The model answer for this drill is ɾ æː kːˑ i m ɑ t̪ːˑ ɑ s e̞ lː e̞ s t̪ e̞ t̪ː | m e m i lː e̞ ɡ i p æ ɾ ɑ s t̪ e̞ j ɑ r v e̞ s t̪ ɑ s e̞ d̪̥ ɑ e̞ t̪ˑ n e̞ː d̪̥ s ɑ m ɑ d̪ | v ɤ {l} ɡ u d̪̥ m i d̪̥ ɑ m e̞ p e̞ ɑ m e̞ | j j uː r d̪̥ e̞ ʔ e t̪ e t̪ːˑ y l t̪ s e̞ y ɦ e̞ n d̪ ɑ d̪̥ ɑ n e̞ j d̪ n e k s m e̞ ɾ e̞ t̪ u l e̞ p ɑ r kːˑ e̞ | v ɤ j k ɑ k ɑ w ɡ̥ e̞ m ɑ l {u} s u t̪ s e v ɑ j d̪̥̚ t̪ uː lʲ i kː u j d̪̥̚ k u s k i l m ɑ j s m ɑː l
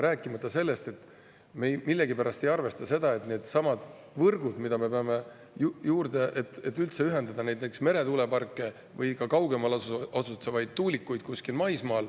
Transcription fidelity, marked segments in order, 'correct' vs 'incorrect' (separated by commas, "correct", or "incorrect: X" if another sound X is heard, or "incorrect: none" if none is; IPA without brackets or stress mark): incorrect: r, incorrect: o